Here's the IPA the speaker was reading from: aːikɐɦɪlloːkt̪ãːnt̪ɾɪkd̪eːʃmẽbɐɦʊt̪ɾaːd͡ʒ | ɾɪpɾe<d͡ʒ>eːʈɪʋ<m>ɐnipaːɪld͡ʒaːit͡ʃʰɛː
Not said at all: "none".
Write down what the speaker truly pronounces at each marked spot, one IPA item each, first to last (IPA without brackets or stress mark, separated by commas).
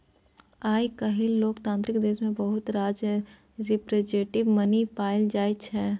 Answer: d͡ʒ, m